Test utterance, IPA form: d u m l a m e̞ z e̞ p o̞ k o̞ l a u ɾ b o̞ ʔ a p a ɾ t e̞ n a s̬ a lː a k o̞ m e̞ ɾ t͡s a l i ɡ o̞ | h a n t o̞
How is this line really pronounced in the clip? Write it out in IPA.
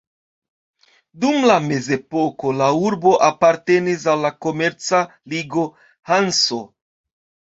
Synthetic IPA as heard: d u m l a m e̞ z e̞ p o̞ k o̞ l a u ɾ b o̞ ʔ a p a ɾ t e̞ n i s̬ a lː a k o̞ m e̞ ɾ t͡s a l i ɡ o̞ | h a n s o̞

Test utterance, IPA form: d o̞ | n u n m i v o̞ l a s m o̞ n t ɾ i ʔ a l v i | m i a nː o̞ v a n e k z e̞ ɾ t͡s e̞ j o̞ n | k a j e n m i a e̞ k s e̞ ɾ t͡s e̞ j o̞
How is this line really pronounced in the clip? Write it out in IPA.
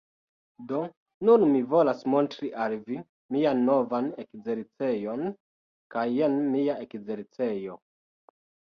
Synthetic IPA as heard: d o̞ | n u n m i v o̞ l a s m o̞ n t ɾ i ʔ a l v i | m i a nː o̞ v a n e k z e̞ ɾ t͡s e̞ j o̞ n | k a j e n m i a e̞ k z e̞ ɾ t͡s e̞ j o̞

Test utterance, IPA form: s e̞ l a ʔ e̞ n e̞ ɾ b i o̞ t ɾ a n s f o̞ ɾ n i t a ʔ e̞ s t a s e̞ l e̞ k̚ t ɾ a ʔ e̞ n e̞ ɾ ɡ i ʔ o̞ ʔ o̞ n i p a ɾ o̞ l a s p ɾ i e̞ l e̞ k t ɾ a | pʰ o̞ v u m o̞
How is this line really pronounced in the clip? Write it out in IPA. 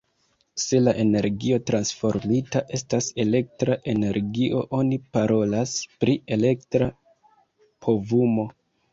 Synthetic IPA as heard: s e̞ l a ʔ e̞ n e̞ ɾ ɡ i o̞ t ɾ a n s f o̞ ɾ m i t a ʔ e̞ s t a s e̞ l e̞ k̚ t ɾ a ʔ e̞ n e̞ ɾ ɡ i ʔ o̞ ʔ o̞ n i p a ɾ o̞ l a s p ɾ i e̞ l e̞ k t ɾ a | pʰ o̞ v u m o̞

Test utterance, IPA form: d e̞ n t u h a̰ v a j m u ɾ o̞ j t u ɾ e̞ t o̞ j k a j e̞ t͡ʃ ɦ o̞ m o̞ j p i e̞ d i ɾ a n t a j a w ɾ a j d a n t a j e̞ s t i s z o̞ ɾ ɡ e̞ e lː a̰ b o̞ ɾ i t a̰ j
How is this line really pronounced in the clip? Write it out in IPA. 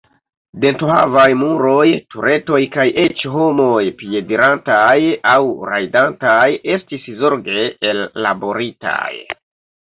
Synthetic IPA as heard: d e̞ n t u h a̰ v a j m u ɾ o̞ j t u ɾ e̞ t o̞ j k a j e̞ t͡ʃ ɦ o̞ m o̞ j p i e̞ d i ɾ a n t a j a w ɾ a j d a n t a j e̞ s t i s z o̞ ɾ ɡ e̞ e lː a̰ b o̞ ɾ i t a̰ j

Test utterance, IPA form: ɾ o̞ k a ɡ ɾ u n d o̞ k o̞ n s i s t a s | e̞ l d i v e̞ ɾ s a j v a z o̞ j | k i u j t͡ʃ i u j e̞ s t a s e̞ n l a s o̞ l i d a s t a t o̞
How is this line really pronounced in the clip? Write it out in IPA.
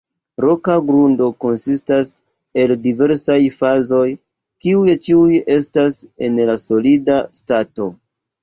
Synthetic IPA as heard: ɾ o̞ k a ɡ ɾ u n d o̞ k o̞ n s i s t a s | e̞ l d i v e̞ ɾ s a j f a z o̞ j | k i u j t͡ʃ i u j e̞ s t a s e̞ n l a s o̞ l i d a s t a t o̞

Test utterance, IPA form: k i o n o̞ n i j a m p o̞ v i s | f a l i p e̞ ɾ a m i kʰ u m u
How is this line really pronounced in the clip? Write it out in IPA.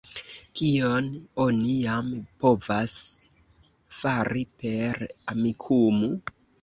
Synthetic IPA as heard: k i o n o̞ n i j a m p o̞ v a s | f a ɾ i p e̞ ɾ a m i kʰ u m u

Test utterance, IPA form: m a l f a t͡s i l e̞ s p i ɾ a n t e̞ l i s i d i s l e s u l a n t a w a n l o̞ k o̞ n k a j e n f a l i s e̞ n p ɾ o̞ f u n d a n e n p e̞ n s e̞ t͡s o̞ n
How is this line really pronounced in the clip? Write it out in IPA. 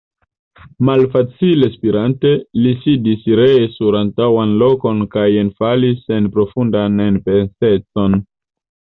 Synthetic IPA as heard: m a l f a t͡s i l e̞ s p i ɾ a n t e̞ l i s i d i s ɾ e s u ɾ a n t a w a n l o̞ k o̞ n k a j e n f a l i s e̞ n p ɾ o̞ f u n d a n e n p e̞ n s e̞ t͡s o̞ n

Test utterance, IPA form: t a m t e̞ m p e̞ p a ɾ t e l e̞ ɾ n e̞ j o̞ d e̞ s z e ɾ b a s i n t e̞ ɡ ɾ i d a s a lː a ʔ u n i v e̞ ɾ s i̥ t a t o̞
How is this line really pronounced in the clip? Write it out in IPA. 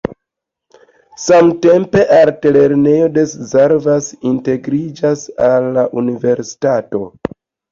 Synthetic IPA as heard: s a m t e̞ m p e̞ ʔ a ɾ t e l e̞ ɾ n e̞ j o̞ d e̞ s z e ɾ v a s i n t e̞ ɡ ɾ i d͡ʒ a s a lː a ʔ u n i v e̞ ɾ s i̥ t a t o̞

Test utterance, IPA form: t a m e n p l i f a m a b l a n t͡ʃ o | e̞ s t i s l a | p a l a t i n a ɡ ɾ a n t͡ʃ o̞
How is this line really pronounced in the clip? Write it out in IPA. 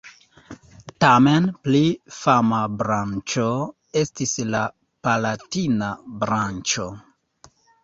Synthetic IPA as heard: t a m e n p l i f a m a b ɾ a n t͡ʃ o | e̞ s t i s l a | p a l a t i n a b ɾ a n t͡ʃ o̞

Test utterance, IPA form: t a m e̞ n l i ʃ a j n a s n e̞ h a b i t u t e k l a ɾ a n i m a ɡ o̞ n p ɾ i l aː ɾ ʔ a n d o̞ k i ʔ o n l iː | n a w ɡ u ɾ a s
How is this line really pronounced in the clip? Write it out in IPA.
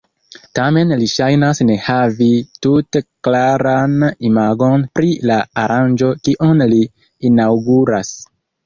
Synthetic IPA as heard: t a m e̞ n l i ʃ a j n a s n e̞ h a v i t u t e k l a ɾ a n i m a ɡ o̞ n p ɾ i l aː ɾ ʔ a n d͡ʒ o̞ k i ʔ o n l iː | n a w ɡ u ɾ a s

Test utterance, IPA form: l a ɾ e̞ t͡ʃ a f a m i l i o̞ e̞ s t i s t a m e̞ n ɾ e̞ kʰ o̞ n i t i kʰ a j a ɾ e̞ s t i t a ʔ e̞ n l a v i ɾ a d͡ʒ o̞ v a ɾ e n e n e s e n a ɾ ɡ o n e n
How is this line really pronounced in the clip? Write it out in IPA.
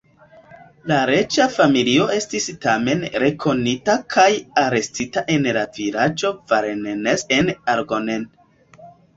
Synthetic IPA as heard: l a ɾ e̞ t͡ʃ a f a m i l i o̞ e̞ s t i s t a m e̞ n ɾ e̞ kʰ o̞ n i t a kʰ a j a ɾ e̞ s t i t a ʔ e̞ n l a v i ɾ a d͡ʒ o̞ v a ɾ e n e n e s e n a ɾ ɡ o n e n

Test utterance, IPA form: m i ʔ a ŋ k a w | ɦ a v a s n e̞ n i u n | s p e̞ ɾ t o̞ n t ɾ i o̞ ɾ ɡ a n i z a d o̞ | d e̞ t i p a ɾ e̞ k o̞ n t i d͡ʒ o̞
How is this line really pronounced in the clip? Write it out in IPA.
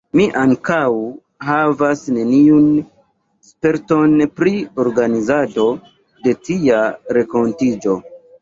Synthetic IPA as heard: m i ʔ a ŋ k a w | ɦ a v a s n e̞ n i u n | s p e̞ ɾ t o̞ n p ɾ i o̞ ɾ ɡ a n i z a d o̞ | d e̞ t i a ɾ e̞ k o̞ n t i d͡ʒ o̞

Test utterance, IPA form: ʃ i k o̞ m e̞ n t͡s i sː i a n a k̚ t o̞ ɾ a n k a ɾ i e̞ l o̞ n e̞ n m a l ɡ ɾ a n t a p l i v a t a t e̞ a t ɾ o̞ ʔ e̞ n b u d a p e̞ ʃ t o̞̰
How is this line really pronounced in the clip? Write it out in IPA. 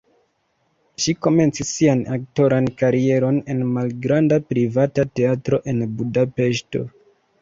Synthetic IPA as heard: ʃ i k o̞ m e̞ n t͡s i sː i a n a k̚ t o̞ ɾ a n k a ɾ i e̞ ɾ o̞ n e̞ n m a l ɡ ɾ a n d a p ɾ i v a t a t e̞ a t ɾ o̞ ʔ e̞ n b u d a p e̞ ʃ t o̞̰

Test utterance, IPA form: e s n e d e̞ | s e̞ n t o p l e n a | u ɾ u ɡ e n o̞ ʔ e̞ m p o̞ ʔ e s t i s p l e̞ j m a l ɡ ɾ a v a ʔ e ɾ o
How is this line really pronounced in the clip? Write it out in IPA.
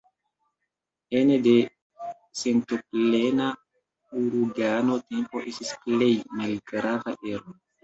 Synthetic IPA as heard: e n e d e̞ | s e̞ n t o p l e n a | u ɾ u ɡ a n o̞ t e̞ m p o̞ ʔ e s t i s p l e̞ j m a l ɡ ɾ a v a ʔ e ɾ o

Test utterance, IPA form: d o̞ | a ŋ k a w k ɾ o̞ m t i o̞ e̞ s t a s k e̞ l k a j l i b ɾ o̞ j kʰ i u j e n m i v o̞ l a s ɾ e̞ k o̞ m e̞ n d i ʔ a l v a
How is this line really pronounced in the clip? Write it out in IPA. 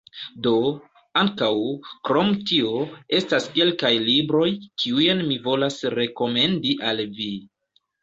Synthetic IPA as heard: d o̞ | a ŋ k a w k ɾ o̞ m t i o̞ e̞ s t a s k e̞ l k a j l i b ɾ o̞ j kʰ i u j e n m i v o̞ l a s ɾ e̞ k o̞ m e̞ n d i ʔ a l v i

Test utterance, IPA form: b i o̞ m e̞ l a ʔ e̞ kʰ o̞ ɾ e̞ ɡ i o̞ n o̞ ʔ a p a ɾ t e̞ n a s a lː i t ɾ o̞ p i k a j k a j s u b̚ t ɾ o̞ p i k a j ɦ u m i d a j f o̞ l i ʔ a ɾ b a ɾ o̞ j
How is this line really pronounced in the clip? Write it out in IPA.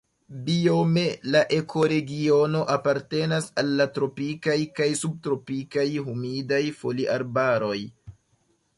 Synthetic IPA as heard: b i o̞ m e̞ l a ʔ e̞ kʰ o̞ ɾ e̞ ɡ i o̞ n o̞ ʔ a p a ɾ t e̞ n a s a lː a t ɾ o̞ p i k a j k a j s u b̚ t ɾ o̞ p i k a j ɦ u m i d a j f o̞ l i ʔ a ɾ b a ɾ o̞ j

